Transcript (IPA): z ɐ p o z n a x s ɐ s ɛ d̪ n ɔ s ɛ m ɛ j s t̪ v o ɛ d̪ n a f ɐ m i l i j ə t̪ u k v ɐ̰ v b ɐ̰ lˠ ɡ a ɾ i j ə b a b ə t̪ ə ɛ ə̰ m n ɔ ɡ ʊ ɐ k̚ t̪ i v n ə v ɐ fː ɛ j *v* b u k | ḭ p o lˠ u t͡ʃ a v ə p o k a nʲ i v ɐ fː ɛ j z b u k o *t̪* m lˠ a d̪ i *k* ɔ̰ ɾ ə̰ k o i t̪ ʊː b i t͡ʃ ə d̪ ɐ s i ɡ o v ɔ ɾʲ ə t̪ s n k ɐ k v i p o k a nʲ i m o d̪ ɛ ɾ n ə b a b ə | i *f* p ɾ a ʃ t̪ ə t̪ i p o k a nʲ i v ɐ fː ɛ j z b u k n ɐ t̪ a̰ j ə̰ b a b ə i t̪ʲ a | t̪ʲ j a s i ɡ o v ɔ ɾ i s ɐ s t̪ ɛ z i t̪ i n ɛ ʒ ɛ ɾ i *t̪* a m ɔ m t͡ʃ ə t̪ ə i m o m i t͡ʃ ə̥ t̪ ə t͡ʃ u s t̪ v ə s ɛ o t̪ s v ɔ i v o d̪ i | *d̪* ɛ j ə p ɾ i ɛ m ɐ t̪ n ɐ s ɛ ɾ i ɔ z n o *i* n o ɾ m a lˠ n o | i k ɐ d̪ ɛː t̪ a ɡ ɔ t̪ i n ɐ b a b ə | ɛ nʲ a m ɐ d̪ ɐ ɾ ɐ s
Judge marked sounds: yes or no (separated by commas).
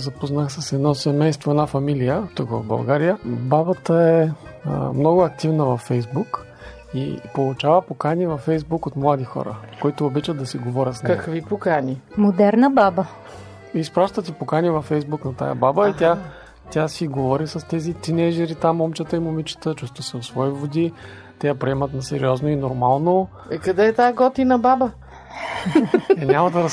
no, yes, no, no, yes, no, yes